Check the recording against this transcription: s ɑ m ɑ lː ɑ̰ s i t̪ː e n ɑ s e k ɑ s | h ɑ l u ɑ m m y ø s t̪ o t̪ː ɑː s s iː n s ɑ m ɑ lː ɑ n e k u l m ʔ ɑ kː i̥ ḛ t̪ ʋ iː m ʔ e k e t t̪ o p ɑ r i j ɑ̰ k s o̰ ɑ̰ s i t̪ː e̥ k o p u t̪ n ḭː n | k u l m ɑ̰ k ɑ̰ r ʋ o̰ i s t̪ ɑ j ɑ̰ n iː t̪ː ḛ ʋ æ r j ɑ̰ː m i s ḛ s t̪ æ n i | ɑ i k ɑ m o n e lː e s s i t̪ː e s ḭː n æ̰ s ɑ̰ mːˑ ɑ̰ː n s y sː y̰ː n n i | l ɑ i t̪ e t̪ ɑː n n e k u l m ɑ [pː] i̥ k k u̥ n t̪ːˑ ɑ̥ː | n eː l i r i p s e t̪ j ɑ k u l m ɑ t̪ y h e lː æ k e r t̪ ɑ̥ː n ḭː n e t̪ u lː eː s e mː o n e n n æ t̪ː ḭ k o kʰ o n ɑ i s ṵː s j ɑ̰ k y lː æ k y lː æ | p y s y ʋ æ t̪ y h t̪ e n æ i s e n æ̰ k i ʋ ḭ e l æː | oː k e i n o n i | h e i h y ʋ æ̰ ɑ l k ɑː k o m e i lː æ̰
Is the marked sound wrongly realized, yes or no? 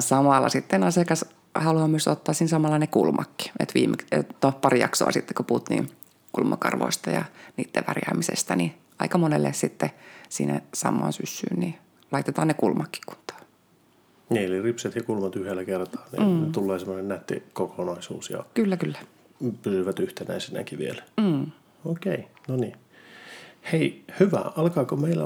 yes